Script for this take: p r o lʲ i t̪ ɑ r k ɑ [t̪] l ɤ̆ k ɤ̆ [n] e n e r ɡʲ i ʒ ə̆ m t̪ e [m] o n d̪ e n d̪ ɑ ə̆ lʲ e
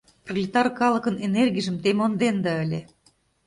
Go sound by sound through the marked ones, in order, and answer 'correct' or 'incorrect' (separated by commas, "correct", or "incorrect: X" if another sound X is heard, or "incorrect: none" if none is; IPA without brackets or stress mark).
incorrect: none, correct, correct